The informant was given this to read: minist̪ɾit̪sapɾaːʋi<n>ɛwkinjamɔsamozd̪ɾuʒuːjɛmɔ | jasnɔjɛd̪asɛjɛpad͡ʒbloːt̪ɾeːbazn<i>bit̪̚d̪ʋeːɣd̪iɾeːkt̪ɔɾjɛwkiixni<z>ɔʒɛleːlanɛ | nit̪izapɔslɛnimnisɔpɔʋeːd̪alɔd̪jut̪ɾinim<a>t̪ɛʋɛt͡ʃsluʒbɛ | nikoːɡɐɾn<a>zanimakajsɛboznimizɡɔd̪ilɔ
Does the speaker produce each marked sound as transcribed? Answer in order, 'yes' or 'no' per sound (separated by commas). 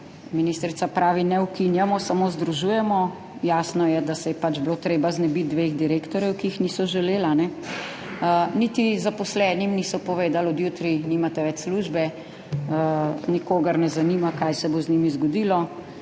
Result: yes, no, no, yes, no